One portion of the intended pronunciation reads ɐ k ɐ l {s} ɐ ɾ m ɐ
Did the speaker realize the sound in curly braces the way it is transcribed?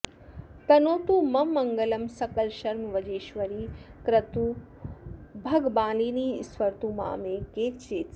no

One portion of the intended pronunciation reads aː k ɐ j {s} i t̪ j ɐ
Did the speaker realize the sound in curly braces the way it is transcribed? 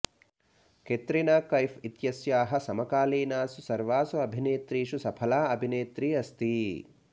no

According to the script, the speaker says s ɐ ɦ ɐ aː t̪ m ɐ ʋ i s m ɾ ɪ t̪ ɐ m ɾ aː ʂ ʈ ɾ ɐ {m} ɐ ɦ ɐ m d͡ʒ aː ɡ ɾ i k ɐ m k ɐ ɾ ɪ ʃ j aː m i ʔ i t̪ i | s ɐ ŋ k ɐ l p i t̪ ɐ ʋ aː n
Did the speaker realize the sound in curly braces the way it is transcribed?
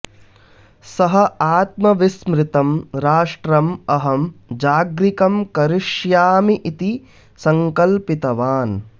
yes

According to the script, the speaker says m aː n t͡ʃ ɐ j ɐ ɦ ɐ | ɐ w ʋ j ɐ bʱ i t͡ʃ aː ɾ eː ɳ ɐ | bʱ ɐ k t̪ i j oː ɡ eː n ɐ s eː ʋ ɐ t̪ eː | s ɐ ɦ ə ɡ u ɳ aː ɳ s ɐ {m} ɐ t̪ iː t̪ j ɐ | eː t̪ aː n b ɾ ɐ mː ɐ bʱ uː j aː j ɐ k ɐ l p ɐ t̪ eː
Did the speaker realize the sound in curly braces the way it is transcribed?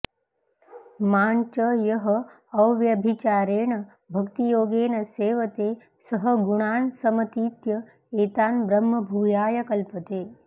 yes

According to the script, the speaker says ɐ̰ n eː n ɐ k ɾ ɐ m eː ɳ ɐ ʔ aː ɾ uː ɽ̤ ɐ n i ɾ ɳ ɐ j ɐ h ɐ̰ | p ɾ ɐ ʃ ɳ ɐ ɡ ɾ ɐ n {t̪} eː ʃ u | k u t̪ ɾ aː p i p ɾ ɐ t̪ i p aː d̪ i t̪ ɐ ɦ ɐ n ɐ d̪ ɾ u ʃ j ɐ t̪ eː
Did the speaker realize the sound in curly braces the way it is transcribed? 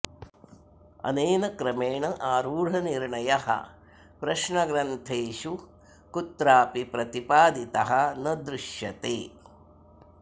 no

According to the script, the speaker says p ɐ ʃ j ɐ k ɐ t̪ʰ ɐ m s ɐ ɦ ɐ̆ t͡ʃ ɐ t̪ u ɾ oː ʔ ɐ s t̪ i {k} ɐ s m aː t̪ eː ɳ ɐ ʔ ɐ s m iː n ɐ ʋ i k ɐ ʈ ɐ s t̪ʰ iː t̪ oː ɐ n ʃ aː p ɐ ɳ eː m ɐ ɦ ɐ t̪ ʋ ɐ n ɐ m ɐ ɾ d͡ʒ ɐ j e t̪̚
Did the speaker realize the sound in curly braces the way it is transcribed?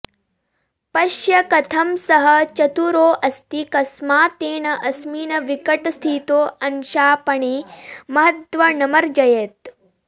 yes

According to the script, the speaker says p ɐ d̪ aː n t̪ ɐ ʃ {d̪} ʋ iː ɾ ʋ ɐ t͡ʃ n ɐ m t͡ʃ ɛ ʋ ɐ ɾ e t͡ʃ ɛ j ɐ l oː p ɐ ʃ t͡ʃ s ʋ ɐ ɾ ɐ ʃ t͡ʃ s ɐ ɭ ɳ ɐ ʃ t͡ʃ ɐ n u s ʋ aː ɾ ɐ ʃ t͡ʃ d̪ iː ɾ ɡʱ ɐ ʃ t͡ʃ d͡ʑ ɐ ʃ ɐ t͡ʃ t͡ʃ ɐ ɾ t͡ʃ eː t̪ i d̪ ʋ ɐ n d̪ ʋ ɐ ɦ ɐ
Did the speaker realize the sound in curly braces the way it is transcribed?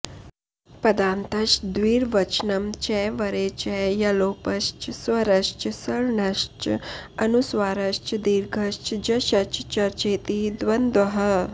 yes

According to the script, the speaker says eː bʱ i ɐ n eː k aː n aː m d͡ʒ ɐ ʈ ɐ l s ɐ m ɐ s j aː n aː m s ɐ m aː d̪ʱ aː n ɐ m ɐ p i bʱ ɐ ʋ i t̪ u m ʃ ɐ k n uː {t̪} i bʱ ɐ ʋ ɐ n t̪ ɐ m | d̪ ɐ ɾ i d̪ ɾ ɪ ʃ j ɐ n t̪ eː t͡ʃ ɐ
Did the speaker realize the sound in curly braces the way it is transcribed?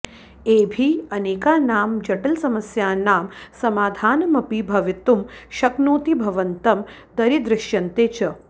yes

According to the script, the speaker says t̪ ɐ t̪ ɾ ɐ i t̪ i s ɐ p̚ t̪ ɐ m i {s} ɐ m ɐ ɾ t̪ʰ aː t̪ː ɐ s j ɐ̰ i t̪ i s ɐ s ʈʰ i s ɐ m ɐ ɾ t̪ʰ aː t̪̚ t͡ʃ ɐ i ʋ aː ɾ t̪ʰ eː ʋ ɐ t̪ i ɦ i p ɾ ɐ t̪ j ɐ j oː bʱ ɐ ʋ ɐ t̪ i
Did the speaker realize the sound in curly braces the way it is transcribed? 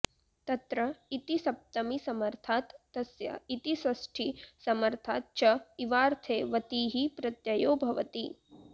yes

